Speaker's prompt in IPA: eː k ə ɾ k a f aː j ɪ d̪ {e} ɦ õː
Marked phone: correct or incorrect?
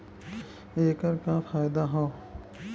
incorrect